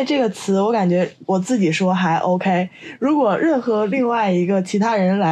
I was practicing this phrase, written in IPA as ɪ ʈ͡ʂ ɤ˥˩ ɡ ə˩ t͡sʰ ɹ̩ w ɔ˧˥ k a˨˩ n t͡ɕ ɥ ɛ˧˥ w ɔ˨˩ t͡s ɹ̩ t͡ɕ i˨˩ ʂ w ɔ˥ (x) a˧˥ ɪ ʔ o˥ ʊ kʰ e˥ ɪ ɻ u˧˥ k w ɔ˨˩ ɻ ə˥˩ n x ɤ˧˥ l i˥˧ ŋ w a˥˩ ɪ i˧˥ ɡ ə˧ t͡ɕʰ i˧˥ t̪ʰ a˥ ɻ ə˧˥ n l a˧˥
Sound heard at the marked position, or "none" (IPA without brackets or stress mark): x